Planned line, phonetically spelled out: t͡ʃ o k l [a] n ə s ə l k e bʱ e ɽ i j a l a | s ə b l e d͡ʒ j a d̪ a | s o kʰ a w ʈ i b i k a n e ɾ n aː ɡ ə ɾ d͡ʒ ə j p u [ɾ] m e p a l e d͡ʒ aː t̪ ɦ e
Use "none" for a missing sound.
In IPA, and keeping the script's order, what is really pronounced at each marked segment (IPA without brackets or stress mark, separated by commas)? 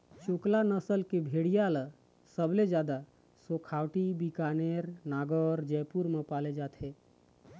a, ɾ